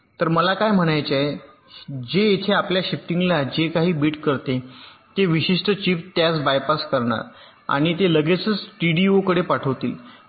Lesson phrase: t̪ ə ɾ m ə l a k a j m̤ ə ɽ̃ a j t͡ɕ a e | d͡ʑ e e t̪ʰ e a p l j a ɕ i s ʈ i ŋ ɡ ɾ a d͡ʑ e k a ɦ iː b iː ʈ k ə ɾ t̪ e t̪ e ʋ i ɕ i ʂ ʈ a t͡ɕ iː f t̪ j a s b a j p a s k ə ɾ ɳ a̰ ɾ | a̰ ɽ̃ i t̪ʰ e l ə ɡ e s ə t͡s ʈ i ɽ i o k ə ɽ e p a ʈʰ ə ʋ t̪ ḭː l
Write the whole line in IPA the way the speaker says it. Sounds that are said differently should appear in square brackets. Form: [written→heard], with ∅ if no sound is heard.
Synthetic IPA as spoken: t̪ ə ɾ m ə l a k a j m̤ ə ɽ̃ a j t͡ɕ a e | d͡ʑ e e t̪ʰ e a p l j a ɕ i [s→f] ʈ i ŋ ɡ [ɾ→l] a d͡ʑ e k a ɦ iː b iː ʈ k ə ɾ t̪ e t̪ e ʋ i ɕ i ʂ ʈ [a→ə] t͡ɕ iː f t̪ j a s b a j p a s k ə ɾ ɳ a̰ ɾ | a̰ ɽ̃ i [t̪ʰ→t̪] e l ə ɡ e [s→t͡s] ə t͡s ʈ i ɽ i o k ə ɽ e p a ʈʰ ə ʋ t̪ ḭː l